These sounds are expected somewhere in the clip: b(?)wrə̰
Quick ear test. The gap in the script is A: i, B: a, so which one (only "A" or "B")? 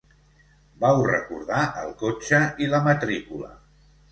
B